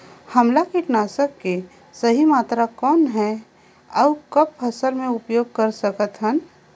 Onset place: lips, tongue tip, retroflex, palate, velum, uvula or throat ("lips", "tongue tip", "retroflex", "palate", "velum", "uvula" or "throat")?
throat